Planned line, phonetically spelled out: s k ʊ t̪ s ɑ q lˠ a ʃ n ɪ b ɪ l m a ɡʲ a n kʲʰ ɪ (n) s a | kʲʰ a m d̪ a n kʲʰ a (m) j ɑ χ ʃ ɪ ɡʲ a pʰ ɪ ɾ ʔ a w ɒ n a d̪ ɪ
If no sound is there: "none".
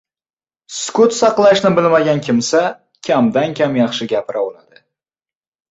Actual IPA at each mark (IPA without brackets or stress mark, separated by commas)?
m, m